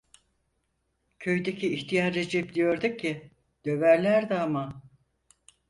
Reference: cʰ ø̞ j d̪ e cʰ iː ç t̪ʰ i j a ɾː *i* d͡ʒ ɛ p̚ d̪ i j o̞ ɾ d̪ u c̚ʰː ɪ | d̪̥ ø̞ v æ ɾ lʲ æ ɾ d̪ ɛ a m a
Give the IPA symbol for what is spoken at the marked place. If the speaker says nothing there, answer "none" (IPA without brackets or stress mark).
e